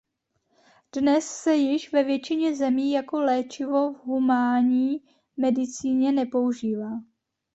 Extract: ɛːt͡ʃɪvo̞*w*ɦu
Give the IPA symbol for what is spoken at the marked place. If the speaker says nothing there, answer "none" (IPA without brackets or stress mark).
v